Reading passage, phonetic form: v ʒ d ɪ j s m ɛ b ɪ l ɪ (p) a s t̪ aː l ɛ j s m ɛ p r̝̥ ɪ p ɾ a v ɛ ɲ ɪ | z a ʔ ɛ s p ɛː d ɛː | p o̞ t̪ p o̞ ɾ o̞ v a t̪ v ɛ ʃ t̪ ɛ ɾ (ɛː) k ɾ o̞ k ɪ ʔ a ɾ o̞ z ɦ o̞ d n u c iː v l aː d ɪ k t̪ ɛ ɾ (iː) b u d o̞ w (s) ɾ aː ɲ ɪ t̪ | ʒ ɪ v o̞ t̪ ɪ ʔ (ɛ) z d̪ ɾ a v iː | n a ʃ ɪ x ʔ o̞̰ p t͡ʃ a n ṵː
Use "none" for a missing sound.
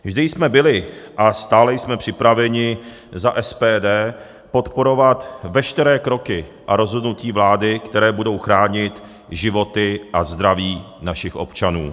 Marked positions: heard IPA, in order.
ʔ, ɛː, ɛː, x, a

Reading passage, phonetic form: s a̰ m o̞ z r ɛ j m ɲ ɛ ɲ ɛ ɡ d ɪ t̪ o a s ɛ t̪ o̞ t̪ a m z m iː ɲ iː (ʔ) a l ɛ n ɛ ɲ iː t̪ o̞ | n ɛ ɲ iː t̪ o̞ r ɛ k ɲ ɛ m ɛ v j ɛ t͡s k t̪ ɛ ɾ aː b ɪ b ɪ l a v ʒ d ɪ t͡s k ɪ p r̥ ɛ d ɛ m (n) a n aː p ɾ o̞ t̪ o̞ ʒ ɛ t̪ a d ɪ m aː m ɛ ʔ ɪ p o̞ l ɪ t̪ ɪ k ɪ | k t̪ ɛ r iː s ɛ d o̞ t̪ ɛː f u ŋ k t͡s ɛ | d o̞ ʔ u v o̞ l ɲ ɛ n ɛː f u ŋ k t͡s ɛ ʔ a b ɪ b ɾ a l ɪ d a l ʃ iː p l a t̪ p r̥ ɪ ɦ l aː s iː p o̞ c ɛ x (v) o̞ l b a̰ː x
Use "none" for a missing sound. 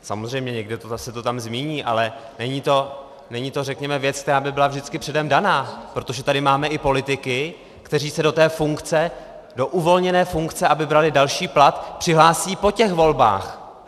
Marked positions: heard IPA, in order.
ʔ, d, v

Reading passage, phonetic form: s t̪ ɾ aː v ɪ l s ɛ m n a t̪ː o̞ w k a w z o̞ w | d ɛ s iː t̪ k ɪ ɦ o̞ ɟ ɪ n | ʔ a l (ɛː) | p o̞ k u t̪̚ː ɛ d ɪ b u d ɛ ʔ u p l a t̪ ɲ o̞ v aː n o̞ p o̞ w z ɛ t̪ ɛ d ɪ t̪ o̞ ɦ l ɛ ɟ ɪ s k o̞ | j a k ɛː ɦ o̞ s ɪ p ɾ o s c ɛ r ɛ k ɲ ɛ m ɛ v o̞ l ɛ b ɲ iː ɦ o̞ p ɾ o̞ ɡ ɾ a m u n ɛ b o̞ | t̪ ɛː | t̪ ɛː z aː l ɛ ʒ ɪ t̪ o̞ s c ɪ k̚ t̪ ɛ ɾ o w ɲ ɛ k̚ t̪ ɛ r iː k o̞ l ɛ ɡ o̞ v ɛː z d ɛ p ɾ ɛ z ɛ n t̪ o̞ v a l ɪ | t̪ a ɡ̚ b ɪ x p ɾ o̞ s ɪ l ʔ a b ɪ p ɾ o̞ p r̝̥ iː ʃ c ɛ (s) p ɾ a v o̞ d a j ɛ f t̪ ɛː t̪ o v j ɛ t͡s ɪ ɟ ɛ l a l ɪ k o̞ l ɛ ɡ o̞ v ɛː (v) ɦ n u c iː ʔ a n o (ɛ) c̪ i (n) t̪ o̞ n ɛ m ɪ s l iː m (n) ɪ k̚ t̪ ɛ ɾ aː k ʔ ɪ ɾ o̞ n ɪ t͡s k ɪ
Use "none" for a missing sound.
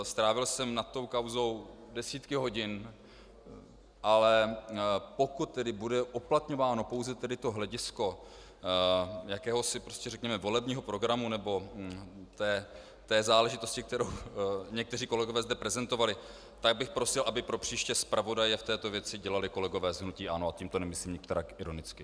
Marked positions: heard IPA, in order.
ɛ, s, z, a, m, ɲ

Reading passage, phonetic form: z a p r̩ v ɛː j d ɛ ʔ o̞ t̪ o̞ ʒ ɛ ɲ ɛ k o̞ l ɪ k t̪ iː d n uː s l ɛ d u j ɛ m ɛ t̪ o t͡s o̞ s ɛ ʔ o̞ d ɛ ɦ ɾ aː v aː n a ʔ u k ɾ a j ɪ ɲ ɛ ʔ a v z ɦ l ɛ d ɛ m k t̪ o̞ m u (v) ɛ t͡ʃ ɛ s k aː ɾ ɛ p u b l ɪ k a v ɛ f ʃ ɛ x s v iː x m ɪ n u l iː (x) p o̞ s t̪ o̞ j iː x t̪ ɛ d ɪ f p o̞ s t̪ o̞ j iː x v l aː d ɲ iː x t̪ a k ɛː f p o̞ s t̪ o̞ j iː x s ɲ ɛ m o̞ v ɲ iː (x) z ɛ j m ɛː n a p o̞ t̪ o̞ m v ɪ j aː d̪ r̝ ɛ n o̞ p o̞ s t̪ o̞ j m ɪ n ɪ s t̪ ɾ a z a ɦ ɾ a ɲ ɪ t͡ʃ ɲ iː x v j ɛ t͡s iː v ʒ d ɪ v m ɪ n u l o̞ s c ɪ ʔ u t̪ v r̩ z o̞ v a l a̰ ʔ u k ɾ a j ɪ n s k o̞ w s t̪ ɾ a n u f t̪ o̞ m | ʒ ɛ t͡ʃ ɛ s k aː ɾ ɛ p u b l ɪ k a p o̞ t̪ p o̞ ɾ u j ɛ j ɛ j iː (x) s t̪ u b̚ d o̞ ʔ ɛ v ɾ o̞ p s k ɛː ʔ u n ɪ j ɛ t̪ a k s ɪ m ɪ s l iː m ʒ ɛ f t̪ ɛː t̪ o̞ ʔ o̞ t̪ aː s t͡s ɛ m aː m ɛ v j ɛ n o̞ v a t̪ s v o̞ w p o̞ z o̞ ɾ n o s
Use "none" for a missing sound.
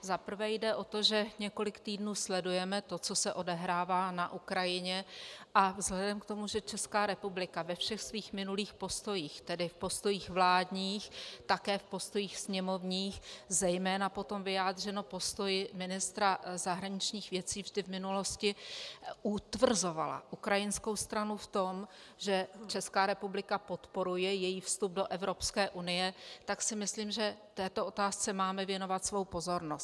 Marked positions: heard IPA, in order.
ʒ, x, x, f

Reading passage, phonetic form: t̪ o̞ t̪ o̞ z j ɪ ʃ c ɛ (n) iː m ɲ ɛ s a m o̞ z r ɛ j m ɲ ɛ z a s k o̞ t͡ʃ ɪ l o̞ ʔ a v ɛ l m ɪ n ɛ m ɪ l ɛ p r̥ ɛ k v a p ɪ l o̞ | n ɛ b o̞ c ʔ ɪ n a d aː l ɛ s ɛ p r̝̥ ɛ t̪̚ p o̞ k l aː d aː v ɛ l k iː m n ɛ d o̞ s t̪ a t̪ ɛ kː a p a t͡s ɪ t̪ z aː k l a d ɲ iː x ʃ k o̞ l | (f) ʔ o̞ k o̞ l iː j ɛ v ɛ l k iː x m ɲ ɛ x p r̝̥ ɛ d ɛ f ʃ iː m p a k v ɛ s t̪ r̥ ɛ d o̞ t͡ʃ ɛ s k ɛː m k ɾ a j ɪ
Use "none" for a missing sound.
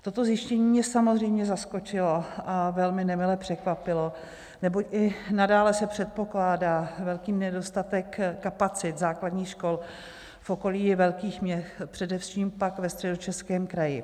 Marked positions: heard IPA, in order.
ɲ, f

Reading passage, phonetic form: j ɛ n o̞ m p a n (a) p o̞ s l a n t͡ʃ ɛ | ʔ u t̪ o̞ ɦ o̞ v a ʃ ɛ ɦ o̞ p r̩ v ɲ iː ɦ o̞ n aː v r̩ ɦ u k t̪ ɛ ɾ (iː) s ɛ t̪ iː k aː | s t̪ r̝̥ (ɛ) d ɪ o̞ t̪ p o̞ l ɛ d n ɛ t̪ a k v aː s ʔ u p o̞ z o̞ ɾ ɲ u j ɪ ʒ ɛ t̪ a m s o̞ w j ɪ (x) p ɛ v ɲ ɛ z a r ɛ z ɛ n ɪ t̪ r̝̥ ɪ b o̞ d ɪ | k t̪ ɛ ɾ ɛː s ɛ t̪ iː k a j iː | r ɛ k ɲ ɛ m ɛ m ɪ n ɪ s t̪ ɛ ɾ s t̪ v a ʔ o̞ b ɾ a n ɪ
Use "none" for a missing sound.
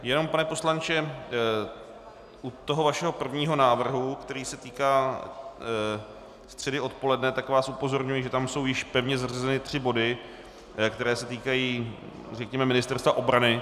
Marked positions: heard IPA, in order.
ɛ, iː, ɛ, ʃ

